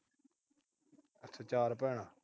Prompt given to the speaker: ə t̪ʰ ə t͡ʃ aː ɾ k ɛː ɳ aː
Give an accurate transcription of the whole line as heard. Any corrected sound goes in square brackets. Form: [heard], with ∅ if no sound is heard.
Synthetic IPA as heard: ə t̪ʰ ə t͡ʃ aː ɾ [p] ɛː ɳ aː